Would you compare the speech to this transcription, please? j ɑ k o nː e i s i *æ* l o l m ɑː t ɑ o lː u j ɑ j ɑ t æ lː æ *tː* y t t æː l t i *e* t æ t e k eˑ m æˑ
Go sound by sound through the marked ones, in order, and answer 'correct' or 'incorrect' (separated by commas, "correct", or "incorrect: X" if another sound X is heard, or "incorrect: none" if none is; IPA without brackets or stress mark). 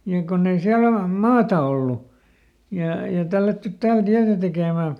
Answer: correct, correct, incorrect: æ